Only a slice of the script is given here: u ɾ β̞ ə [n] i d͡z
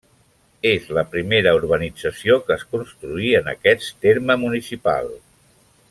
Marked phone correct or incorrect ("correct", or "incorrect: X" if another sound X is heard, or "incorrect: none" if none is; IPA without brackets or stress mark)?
correct